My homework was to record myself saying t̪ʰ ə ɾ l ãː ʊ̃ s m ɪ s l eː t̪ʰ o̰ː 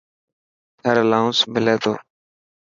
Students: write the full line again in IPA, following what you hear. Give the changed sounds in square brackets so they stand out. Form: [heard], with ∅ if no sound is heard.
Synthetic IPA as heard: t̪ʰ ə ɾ l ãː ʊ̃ s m ɪ [∅] l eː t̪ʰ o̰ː